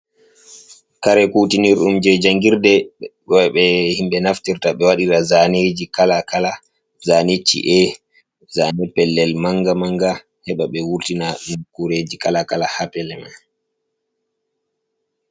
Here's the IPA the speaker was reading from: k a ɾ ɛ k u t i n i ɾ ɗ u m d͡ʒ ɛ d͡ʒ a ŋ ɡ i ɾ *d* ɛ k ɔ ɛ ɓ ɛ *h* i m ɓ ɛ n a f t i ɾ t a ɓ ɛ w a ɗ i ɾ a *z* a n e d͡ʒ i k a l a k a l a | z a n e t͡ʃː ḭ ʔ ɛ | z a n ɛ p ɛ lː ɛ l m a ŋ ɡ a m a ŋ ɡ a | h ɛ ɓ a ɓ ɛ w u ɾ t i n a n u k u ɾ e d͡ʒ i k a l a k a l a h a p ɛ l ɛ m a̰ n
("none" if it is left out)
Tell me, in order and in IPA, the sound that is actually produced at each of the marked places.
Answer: d, h, z

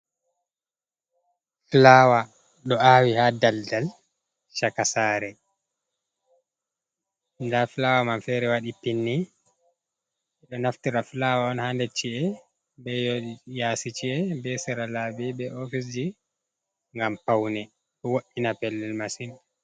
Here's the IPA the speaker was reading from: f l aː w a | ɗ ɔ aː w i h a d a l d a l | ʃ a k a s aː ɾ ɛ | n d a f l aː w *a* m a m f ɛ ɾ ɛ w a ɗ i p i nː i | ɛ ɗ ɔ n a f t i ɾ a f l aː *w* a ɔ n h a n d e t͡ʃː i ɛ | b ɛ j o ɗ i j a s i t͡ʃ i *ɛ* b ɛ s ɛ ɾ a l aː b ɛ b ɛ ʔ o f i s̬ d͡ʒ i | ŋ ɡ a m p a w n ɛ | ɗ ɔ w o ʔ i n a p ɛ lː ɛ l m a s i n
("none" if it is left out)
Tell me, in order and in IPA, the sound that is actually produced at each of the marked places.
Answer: a, w, ɛ

